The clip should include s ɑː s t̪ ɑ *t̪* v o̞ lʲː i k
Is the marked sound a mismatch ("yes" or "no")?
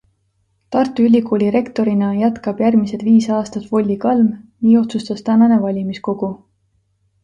no